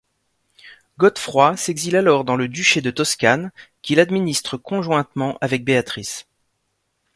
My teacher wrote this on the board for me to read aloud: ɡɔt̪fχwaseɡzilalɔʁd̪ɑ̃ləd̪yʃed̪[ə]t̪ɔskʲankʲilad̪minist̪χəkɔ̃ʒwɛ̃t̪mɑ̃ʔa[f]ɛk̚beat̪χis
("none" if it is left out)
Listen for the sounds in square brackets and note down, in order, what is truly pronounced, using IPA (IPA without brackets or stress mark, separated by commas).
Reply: ə, v